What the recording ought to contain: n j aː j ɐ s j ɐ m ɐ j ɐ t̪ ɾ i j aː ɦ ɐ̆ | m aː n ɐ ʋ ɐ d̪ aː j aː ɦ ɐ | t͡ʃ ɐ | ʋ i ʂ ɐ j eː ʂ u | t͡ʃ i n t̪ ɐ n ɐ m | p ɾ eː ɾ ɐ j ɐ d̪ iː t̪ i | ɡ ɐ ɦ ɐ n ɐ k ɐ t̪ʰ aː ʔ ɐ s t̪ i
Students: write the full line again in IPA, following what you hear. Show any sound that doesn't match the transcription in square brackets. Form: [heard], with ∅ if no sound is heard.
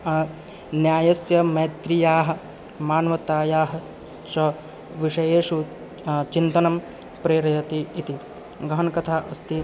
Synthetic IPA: n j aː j ɐ s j ɐ m ɐ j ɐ t̪ ɾ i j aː ɦ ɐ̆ | m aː n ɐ ʋ ɐ [t̪] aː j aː ɦ ɐ | t͡ʃ ɐ | ʋ i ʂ ɐ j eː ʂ u | t͡ʃ i n t̪ ɐ n ɐ m | p ɾ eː ɾ ɐ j ɐ [t̪] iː t̪ i | ɡ ɐ ɦ ɐ n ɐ k ɐ t̪ʰ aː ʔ ɐ s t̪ i